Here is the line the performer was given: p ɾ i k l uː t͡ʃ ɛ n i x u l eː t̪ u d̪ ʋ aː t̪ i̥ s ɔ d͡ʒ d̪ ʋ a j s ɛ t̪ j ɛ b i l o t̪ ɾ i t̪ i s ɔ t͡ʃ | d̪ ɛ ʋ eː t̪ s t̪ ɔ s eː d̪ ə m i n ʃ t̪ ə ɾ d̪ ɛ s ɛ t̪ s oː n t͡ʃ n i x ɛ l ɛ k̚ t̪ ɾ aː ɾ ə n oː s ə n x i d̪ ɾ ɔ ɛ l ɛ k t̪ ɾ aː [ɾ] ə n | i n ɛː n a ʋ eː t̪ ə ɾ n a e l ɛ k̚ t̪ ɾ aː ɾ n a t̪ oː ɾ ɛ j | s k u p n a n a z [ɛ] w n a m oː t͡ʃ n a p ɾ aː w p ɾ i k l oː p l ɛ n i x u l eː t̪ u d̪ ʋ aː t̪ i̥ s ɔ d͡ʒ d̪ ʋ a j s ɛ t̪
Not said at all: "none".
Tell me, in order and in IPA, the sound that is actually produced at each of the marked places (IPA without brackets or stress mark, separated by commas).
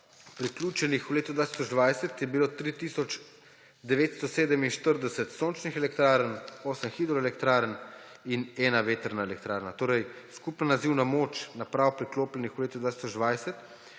ɾ, i